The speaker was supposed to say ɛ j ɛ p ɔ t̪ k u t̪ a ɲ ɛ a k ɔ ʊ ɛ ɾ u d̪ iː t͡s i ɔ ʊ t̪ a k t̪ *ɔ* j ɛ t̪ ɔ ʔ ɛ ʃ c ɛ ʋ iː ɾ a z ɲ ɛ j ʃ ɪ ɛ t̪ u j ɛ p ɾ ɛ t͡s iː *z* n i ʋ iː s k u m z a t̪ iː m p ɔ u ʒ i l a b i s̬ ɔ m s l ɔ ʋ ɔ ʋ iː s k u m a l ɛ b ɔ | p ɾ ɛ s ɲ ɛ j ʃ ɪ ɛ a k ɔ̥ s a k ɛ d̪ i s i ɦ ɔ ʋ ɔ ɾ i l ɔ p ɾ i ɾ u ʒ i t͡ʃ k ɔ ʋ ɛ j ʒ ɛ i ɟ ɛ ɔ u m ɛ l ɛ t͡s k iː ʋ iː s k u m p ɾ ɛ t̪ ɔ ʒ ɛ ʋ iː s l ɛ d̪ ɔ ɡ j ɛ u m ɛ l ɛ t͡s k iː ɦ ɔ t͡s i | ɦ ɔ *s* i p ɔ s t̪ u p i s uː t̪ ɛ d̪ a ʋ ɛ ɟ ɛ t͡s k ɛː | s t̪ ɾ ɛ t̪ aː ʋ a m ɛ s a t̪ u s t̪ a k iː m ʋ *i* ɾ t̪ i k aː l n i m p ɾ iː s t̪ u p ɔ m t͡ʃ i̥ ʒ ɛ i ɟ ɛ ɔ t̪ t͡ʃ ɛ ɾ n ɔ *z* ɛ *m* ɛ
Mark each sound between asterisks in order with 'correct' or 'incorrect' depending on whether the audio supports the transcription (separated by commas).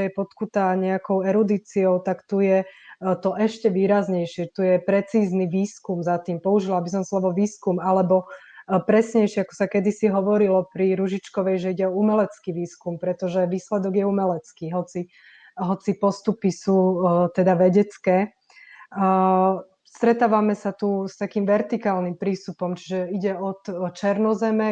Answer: incorrect, correct, incorrect, incorrect, correct, correct